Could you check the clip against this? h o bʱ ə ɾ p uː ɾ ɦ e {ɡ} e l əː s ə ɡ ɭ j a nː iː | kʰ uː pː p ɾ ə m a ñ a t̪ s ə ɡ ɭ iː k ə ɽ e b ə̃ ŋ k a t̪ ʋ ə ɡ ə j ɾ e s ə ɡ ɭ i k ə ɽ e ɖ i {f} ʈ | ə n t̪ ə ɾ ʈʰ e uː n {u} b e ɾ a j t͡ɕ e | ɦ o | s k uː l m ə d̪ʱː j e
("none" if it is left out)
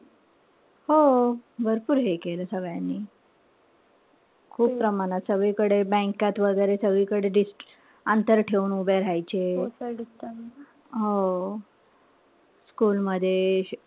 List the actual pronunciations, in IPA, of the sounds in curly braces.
k, s, u

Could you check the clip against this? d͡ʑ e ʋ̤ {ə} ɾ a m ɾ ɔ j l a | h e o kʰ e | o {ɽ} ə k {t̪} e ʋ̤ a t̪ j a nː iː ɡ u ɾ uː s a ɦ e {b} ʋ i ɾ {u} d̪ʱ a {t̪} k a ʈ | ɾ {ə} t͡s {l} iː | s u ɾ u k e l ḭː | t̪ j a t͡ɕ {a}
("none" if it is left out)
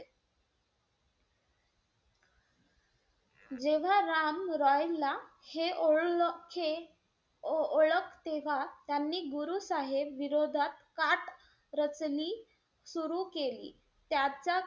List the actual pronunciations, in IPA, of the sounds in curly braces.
a, ɭ, t̪, b, o, t̪, ə, l, a

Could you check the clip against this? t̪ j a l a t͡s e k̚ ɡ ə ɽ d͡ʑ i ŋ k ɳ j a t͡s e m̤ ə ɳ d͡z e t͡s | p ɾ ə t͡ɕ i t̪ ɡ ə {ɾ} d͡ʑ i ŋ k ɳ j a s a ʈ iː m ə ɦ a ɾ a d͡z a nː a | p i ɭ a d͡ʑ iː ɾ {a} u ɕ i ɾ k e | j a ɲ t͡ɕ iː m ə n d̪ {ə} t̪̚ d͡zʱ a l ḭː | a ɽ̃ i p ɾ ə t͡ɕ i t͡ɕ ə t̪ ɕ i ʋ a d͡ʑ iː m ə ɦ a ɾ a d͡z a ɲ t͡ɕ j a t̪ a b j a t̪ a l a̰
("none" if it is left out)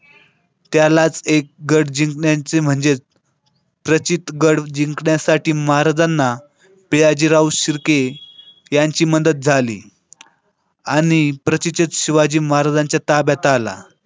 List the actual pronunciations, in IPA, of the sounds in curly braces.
ɽ, a, ə

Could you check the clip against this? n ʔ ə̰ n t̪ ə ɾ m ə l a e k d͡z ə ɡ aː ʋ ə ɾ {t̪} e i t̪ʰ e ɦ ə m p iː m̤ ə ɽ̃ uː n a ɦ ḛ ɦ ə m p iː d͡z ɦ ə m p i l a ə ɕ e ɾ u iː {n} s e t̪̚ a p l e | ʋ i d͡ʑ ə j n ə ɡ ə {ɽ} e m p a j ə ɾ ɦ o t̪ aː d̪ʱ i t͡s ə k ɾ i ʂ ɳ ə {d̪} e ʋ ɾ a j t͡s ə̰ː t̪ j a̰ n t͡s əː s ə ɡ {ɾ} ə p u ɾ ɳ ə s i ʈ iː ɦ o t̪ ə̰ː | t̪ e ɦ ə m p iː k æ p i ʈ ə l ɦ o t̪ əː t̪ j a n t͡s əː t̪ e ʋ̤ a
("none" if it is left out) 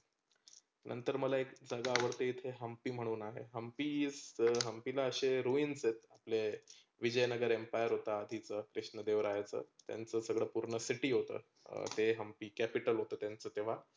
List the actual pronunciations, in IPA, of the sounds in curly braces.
t̪, n, ɾ, d̪, ɭ

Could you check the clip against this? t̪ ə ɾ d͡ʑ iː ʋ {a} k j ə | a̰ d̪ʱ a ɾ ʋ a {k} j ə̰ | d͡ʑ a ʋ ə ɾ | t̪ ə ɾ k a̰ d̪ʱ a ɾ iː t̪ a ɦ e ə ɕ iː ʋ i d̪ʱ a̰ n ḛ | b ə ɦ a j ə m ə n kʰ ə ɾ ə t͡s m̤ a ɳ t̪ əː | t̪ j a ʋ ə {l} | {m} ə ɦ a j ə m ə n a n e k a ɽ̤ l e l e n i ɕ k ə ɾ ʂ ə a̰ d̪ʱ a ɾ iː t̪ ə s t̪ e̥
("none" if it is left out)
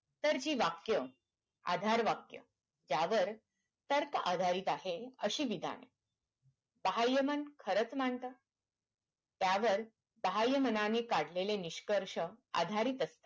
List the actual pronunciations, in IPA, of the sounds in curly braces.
a, k, ɾ, b

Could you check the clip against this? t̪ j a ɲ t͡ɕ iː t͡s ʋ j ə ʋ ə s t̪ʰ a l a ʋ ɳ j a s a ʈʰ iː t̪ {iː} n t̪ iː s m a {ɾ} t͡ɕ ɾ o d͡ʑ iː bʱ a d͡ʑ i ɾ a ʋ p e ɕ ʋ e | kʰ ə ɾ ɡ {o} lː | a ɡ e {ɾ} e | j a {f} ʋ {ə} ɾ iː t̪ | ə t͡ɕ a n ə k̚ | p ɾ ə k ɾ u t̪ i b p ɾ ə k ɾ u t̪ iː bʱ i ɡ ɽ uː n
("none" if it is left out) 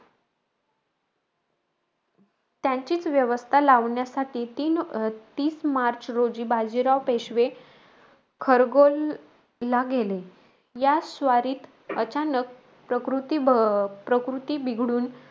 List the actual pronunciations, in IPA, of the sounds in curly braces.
iː, ɾ, o, l, s, a

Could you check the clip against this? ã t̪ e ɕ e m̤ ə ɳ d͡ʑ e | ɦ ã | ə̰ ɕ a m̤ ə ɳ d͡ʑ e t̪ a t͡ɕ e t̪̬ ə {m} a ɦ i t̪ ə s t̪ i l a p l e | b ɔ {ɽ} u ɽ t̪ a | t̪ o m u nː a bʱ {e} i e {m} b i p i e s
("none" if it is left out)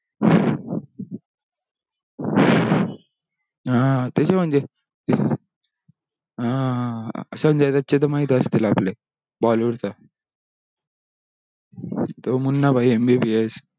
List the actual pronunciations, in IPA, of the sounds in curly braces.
m, l, a, m

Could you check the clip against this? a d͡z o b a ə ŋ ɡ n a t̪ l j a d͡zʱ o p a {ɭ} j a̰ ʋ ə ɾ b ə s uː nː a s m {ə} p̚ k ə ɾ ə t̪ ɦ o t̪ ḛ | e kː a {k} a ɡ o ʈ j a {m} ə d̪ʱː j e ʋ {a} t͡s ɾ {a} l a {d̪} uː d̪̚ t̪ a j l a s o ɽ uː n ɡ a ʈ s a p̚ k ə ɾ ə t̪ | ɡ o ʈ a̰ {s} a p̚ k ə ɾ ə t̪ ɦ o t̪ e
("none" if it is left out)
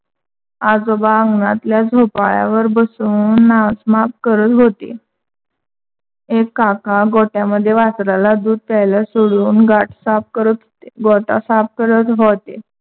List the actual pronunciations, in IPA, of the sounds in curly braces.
ɭ, a, k, m, a, a, d̪, s

